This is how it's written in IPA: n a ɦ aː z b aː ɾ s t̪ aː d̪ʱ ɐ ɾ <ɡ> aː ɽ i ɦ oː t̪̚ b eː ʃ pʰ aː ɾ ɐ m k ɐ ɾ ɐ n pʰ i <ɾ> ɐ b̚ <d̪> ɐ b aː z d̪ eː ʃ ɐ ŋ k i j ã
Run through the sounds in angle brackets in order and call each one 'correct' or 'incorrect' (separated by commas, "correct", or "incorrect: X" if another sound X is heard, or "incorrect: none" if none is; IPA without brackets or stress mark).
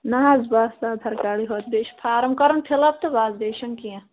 incorrect: k, incorrect: l, incorrect: t̪